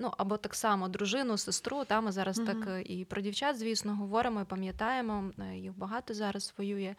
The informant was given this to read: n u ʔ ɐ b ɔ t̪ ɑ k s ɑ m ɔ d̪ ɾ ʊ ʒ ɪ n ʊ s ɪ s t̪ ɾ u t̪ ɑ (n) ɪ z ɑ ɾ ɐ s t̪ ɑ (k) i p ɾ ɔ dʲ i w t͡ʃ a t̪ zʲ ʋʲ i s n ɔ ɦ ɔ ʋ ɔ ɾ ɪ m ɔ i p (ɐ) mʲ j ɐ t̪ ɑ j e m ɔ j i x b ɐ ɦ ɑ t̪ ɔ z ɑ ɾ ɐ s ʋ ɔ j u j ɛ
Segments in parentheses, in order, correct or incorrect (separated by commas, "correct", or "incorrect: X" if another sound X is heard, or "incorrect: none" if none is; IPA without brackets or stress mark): incorrect: m, correct, correct